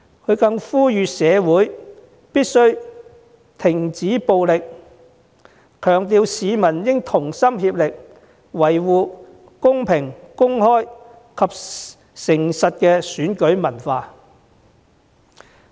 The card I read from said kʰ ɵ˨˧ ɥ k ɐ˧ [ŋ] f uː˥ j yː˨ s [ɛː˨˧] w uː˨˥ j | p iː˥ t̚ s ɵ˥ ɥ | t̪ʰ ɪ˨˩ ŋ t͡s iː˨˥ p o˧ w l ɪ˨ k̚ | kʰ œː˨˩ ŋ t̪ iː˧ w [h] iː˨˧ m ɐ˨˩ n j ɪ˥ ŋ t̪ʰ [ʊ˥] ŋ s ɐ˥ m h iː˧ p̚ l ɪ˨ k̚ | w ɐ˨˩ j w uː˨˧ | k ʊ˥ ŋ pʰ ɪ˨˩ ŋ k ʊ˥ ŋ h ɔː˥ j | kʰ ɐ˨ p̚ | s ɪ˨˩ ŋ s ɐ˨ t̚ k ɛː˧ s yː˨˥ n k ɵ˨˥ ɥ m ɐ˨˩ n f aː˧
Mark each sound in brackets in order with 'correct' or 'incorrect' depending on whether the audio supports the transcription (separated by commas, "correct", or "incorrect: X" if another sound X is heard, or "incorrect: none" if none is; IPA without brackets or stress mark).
correct, correct, incorrect: s, incorrect: ʊ˨˩